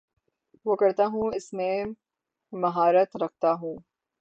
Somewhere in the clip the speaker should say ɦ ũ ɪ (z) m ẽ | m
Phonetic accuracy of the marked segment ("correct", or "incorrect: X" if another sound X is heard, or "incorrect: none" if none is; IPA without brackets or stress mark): incorrect: s